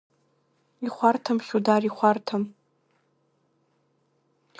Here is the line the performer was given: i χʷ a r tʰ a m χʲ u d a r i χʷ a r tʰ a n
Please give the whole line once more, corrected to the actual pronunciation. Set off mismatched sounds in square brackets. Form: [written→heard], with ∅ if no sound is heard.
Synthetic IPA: i χʷ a r tʰ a m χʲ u d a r i χʷ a r tʰ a [n→m]